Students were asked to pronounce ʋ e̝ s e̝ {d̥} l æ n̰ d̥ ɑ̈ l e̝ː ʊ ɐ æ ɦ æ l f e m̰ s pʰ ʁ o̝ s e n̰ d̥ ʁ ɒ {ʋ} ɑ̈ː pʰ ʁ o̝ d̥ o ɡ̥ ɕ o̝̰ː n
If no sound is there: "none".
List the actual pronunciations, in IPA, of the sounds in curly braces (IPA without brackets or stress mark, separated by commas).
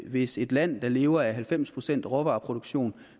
d̥, ʋ